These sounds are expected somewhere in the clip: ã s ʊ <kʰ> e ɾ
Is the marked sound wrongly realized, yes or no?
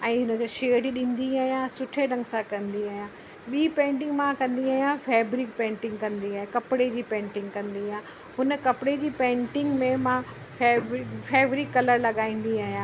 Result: yes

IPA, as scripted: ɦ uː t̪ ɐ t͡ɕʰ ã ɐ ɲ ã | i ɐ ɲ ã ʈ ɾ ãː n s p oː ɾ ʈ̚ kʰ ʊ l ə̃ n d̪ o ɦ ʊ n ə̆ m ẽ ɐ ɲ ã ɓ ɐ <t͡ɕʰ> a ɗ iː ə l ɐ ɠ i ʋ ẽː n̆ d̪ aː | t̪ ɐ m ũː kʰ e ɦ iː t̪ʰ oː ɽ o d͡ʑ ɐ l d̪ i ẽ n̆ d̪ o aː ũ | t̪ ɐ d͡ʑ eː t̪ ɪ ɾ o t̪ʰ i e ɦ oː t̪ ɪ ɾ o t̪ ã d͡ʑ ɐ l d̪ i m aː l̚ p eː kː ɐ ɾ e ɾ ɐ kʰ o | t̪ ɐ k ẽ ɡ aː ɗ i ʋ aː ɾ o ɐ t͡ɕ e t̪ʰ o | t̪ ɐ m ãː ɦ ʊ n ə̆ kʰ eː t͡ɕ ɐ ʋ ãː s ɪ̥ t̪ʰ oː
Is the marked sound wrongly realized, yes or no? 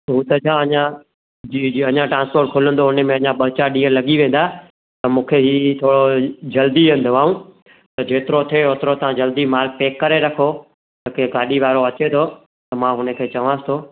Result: yes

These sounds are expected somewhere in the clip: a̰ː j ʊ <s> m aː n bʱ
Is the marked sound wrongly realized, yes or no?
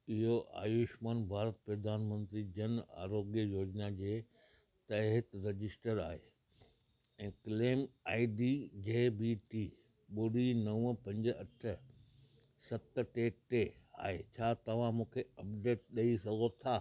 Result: yes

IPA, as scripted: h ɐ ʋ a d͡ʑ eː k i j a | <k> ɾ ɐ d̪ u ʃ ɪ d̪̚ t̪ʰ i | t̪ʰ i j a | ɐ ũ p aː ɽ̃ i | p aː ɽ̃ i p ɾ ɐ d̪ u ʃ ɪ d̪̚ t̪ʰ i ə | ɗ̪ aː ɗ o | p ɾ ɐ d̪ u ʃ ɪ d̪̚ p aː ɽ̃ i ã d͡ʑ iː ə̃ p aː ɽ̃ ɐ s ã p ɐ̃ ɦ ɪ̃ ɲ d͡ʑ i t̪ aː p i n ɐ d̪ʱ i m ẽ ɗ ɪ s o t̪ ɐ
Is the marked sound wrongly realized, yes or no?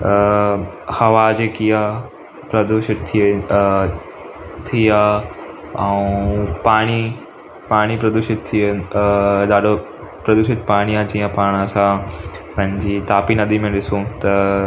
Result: yes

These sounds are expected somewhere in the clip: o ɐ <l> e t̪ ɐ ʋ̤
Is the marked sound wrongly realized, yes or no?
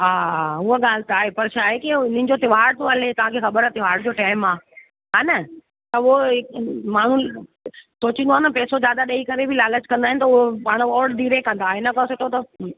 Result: no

